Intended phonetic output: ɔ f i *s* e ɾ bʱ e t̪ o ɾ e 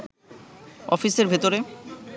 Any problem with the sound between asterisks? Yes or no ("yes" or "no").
no